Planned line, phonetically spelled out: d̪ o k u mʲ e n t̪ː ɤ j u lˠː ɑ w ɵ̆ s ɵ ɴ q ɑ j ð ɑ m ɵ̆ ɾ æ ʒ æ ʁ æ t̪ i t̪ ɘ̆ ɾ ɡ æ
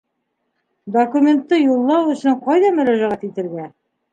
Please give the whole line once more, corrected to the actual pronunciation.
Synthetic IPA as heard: d̪ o k u mʲ e n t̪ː ɤ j u lˠː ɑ w ɵ̆ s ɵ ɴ q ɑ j ð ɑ m ɵ̆ ɾ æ ʒ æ ʁ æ t̪ i t̪ ɘ̆ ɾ ɡ æ